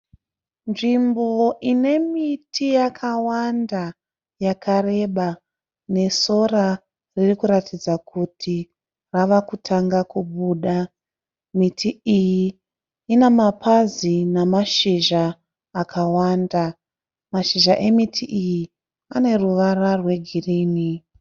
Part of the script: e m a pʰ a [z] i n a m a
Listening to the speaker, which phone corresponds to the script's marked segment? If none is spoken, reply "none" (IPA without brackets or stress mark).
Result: z